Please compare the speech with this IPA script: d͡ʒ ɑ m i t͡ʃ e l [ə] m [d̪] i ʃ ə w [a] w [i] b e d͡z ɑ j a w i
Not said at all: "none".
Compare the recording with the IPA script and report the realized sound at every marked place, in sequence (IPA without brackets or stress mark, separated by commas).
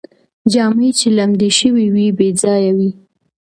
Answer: a, d̪, i, i